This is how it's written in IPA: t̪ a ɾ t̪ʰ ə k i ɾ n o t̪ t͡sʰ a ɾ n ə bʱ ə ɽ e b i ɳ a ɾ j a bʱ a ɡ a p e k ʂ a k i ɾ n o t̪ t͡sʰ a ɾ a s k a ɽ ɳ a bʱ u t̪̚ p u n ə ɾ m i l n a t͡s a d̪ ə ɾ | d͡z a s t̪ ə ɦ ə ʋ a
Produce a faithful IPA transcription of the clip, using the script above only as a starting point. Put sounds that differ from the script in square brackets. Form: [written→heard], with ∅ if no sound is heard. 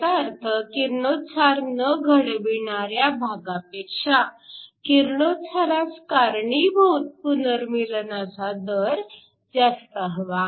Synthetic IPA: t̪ a ɾ t̪ʰ ə k i ɾ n o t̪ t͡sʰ a ɾ n ə [bʱ→ɡʱ] ə ɽ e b i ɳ a ɾ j a bʱ a ɡ a p e k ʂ a k i ɾ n o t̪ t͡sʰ a ɾ a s k a [ɽ→ɾ] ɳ [a→i] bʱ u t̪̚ p u n ə ɾ m i l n a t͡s a d̪ ə ɾ | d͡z a s t̪ ə ɦ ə ʋ a